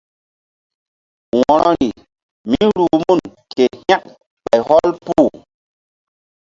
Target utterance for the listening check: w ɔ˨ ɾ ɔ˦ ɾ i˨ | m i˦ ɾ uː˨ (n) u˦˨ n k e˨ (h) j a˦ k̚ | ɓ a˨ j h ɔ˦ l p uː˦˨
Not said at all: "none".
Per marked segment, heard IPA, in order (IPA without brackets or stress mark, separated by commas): m, h